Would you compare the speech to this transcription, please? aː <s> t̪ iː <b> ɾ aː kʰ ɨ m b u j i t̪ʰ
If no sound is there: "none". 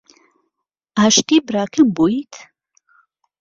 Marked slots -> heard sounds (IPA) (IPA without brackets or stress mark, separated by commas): ʃ, b